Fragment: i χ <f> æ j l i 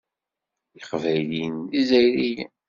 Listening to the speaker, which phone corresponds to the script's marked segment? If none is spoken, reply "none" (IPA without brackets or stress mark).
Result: v